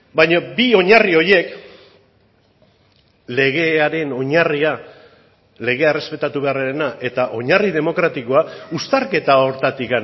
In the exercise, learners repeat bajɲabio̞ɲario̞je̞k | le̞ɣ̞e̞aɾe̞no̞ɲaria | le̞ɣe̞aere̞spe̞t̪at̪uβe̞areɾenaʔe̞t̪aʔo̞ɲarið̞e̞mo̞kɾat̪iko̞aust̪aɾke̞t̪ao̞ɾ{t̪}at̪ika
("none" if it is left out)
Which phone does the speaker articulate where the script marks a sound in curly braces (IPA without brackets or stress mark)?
t̪